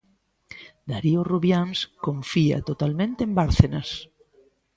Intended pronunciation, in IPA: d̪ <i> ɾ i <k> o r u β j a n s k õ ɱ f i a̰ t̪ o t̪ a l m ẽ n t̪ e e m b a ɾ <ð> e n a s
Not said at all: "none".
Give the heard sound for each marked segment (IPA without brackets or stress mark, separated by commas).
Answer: a, none, θ